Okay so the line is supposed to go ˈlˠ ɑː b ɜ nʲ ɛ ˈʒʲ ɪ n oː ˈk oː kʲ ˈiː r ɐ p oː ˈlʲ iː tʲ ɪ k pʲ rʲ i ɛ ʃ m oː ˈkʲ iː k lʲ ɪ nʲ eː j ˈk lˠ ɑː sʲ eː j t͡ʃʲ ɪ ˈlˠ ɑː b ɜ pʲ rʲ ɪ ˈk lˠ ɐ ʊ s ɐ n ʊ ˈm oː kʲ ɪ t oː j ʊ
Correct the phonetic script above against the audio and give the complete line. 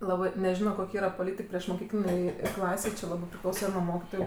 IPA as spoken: ˈlˠ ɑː b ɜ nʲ ɛ ˈʒʲ ɪ n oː ˈk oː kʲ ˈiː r ɐ p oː ˈlʲ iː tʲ ɪ k pʲ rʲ i ɛ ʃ m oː ˈkʲ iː k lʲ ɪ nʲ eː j ˈk lˠ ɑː sʲ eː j t͡ʃʲ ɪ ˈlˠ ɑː b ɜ pʲ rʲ ɪ ˈk lˠ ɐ ʊ s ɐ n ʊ ˈm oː kʲ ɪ t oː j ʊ